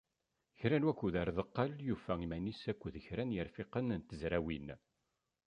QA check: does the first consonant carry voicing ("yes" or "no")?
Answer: no